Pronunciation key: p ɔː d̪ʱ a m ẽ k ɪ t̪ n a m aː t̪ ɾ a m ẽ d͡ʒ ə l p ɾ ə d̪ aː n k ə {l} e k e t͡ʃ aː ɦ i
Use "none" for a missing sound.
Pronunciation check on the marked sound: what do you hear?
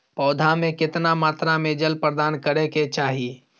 ɾ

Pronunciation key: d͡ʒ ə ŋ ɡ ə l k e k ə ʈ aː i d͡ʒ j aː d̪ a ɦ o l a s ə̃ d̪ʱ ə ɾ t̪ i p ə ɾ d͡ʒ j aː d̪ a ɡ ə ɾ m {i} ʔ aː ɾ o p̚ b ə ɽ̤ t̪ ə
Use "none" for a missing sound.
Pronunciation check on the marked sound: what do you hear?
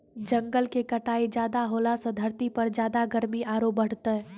i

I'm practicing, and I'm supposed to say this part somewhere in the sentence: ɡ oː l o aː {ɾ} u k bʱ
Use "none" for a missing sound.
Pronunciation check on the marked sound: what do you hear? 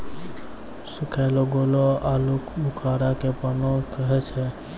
l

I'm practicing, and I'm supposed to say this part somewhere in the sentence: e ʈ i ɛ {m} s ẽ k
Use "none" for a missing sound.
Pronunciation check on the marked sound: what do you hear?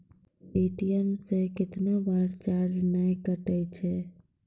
m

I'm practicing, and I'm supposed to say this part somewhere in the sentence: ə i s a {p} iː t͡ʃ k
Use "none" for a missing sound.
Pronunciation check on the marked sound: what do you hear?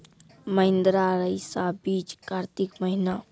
b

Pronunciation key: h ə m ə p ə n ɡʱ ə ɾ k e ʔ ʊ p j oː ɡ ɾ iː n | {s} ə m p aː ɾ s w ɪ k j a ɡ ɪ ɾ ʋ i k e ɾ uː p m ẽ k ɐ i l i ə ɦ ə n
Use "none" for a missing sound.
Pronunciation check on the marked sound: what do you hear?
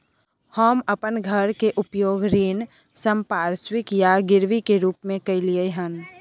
s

